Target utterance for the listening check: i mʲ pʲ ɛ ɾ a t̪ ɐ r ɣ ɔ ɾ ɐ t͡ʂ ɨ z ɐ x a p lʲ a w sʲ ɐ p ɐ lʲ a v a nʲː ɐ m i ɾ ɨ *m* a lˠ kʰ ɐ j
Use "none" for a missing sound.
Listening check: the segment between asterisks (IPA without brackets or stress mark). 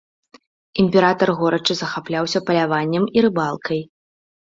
b